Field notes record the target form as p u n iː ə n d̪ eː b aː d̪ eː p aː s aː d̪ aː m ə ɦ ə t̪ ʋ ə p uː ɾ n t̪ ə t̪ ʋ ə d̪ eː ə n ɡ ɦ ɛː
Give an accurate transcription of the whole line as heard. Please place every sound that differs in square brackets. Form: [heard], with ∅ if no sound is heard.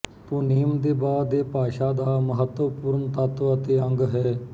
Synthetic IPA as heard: p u n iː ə [m] d̪ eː b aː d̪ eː p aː [ʃ] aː d̪ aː m ə ɦ ə t̪ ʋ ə p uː ɾ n t̪ ə t̪ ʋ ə [t̪] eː ə [ŋ] ɡ ɦ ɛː